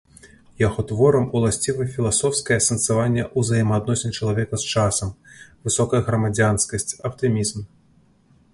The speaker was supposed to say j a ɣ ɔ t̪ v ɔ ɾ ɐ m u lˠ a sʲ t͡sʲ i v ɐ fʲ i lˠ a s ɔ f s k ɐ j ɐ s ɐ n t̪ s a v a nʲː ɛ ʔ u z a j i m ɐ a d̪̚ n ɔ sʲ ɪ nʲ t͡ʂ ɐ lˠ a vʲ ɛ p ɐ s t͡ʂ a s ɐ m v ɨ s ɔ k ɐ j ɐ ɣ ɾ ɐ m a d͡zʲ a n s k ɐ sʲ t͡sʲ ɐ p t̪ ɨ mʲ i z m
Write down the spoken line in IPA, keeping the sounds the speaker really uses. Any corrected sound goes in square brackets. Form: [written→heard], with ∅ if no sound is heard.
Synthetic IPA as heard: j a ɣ ɔ t̪ v ɔ ɾ ɐ m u lˠ a sʲ t͡sʲ i v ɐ fʲ i lˠ a s ɔ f s k ɐ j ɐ s ɐ n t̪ s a v a nʲː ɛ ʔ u z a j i m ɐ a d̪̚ n ɔ sʲ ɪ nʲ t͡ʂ ɐ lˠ a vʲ ɛ [p→k] ɐ s t͡ʂ a s ɐ m v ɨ s ɔ k ɐ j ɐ ɣ ɾ ɐ m a d͡zʲ a n s k ɐ sʲ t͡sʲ ɐ p t̪ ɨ mʲ i z m